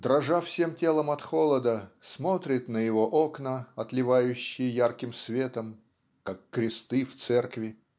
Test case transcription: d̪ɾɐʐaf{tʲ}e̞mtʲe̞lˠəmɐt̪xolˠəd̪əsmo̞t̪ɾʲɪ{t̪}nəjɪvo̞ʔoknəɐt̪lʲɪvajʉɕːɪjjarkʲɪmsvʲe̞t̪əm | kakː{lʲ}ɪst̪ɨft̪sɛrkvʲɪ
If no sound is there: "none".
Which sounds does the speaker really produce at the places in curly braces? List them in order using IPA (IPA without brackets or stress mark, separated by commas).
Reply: sʲ, t̪, ɾʲ